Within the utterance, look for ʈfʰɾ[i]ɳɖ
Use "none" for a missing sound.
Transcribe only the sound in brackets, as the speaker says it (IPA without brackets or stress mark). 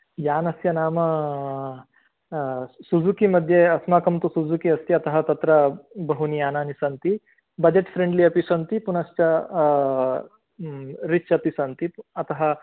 e